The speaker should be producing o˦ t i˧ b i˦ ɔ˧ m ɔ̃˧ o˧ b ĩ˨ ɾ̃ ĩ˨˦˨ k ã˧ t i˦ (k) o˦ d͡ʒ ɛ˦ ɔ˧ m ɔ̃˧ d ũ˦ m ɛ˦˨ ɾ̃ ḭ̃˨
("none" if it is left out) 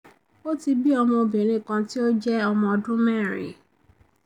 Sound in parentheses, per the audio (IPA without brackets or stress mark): none